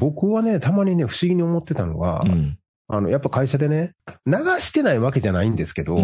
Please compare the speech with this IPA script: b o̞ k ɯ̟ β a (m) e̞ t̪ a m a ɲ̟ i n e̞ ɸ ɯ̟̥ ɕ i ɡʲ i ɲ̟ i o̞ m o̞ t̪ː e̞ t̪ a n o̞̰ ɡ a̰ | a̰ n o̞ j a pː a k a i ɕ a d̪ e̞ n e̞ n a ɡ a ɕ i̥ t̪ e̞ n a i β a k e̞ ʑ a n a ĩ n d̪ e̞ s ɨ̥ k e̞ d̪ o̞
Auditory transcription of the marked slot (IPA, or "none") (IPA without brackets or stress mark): n